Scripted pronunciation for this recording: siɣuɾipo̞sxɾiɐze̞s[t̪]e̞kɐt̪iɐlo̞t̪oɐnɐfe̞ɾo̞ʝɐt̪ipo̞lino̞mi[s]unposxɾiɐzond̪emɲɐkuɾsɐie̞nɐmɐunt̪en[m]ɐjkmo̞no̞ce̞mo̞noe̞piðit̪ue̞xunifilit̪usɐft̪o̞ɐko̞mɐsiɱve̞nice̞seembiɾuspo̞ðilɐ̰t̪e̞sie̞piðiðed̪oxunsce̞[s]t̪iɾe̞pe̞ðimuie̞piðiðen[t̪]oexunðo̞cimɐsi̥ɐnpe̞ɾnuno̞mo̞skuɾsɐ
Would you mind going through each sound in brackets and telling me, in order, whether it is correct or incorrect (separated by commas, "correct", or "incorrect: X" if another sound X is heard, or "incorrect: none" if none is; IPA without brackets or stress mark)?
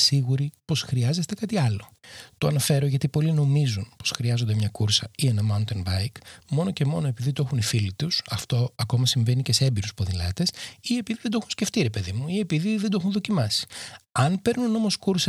correct, incorrect: z, incorrect: b, incorrect: f, incorrect: d̪